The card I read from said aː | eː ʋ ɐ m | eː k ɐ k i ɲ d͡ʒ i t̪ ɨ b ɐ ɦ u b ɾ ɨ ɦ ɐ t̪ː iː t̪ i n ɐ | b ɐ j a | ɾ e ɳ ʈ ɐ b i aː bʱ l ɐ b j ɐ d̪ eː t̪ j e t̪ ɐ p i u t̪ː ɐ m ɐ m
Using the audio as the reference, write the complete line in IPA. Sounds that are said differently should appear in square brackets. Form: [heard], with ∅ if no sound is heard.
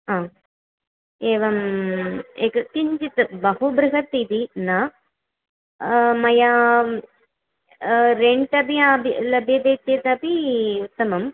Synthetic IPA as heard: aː | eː ʋ ɐ m | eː k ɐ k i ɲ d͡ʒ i t̪ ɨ b ɐ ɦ u b ɾ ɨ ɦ ɐ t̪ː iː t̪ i n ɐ | [m] ɐ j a | ɾ e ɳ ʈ ɐ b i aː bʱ l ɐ b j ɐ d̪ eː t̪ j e t̪ ɐ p i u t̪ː ɐ m ɐ m